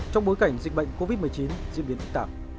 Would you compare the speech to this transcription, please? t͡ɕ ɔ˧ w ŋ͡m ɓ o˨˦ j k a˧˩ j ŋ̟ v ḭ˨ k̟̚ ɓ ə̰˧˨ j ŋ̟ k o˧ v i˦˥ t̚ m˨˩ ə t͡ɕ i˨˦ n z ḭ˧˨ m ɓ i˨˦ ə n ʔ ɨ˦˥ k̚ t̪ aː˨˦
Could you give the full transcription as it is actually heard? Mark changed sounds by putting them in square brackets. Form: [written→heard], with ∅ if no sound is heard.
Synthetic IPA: t͡ɕ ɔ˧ w ŋ͡m ɓ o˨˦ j k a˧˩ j ŋ̟ [v→z] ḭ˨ k̟̚ ɓ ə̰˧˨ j ŋ̟ k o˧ v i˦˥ t̚ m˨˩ ə t͡ɕ i˨˦ n z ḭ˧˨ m ɓ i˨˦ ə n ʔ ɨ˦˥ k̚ t̪ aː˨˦